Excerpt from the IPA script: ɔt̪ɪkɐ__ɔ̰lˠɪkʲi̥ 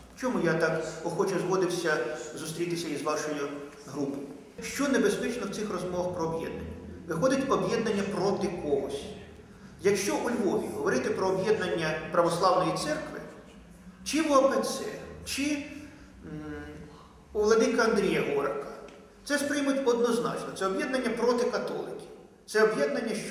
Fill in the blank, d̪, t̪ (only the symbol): t̪